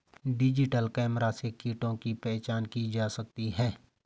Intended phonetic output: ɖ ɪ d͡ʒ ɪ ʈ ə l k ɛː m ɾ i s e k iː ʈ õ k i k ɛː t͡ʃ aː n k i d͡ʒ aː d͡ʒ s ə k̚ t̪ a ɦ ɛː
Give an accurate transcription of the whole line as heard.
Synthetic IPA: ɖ ɪ d͡ʒ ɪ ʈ ə l k ɛː m ɾ a s e k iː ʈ õ k i p ɛː t͡ʃ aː n k i d͡ʒ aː s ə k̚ t̪ i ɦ ɛː